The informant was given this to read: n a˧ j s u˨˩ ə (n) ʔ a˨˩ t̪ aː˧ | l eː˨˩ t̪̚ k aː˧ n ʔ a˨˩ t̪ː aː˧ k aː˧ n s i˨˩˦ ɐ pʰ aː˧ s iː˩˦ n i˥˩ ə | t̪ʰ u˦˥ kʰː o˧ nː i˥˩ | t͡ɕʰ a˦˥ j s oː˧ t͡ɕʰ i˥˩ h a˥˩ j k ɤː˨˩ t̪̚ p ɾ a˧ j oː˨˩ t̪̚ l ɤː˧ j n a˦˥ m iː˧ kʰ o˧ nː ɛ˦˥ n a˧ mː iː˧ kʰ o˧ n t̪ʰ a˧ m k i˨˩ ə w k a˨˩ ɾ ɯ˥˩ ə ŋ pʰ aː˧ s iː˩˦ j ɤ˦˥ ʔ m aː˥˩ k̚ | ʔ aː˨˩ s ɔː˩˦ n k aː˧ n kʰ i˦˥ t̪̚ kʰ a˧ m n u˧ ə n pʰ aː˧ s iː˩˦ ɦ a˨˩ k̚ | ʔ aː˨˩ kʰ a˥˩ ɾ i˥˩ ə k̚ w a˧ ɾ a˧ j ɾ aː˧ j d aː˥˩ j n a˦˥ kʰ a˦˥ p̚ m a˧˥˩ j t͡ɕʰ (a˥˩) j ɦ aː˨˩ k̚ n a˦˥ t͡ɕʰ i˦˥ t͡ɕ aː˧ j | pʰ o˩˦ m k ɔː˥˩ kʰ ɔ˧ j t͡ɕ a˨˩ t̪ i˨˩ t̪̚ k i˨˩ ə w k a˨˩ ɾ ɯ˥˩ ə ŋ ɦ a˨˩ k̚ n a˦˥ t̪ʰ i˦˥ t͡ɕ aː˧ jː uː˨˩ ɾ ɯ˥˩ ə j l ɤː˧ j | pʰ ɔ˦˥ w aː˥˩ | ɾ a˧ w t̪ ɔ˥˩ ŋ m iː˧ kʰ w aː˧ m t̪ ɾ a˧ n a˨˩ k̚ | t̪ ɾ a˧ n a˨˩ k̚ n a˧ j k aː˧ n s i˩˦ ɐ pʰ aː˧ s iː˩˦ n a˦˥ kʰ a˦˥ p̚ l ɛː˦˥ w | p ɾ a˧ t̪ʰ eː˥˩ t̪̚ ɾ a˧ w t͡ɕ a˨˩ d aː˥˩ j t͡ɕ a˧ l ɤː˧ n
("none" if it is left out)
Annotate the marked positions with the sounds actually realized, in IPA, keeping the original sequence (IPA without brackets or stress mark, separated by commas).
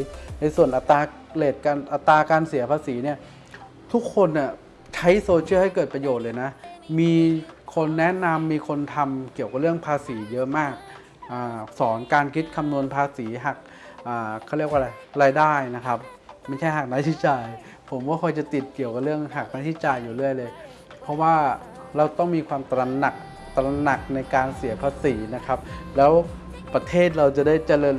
n, a˥˩